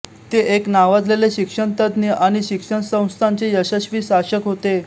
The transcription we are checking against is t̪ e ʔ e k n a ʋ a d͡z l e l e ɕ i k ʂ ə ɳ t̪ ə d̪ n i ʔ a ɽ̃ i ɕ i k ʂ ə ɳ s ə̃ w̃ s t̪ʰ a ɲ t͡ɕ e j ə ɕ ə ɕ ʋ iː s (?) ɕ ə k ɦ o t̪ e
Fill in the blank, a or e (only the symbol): a